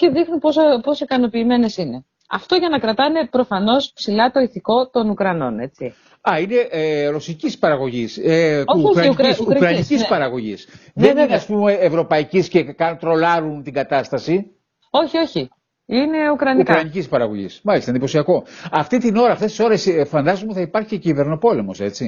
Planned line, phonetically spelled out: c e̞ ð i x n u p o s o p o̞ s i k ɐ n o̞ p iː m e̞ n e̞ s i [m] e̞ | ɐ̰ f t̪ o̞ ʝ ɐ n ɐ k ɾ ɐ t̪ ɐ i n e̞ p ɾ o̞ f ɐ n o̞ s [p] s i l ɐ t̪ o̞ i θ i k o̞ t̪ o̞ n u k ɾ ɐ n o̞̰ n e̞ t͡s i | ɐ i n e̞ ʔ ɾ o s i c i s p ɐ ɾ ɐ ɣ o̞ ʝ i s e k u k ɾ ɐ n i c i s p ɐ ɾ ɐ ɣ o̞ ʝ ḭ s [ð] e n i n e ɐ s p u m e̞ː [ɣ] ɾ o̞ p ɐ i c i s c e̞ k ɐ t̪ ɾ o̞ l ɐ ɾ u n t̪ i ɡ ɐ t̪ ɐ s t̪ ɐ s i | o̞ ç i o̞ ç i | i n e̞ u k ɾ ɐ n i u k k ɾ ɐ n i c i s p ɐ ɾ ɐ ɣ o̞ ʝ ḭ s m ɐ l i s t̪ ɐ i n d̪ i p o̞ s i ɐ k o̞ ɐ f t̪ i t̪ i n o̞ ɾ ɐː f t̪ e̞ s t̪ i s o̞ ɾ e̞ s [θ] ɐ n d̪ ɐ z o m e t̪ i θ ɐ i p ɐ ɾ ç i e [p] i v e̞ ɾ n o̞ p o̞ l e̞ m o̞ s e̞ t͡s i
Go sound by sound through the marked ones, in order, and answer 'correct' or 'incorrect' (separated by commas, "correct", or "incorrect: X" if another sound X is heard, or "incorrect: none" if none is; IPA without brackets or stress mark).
incorrect: n, correct, correct, incorrect: v, incorrect: f, incorrect: c